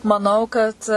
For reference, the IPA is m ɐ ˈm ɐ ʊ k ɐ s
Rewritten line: m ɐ ˈn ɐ ʊ k ɐ t